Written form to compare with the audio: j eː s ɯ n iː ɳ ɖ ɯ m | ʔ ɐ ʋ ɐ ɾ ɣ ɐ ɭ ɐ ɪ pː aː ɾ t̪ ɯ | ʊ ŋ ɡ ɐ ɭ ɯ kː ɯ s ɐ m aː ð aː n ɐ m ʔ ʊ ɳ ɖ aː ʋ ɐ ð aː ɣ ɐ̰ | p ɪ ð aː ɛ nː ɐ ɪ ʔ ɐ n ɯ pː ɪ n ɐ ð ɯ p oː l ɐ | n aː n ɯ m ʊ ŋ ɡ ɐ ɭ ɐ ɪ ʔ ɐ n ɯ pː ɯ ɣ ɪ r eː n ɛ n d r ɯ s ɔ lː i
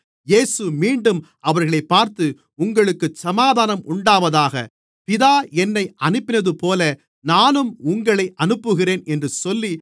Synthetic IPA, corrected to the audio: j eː s ɯ m iː ɳ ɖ ɯ m | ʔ ɐ ʋ ɐ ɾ ɣ ɐ ɭ ɐ ɪ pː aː ɾ t̪ ɯ | ʊ ŋ ɡ ɐ ɭ ɯ kː ɯ s ɐ m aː ð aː n ɐ m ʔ ʊ ɳ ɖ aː ʋ ɐ ð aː ɣ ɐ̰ | p ɪ ð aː ɛ nː ɐ ɪ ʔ ɐ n ɯ pː ɪ n ɐ ð ɯ p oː l ɐ | n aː n ɯ m ʊ ŋ ɡ ɐ ɭ ɐ ɪ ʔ ɐ n ɯ pː ɯ ɣ ɪ r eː n ɛ n d r ɯ s ɔ lː i